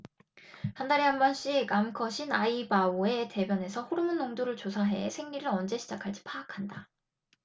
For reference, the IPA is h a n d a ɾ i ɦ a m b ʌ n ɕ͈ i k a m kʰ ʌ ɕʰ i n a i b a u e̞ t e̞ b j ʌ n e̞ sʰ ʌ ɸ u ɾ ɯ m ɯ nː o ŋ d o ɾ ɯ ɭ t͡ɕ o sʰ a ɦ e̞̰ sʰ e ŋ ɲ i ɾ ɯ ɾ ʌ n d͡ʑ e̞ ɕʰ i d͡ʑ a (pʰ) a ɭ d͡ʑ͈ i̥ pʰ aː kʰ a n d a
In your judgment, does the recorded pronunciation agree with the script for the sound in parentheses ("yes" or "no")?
no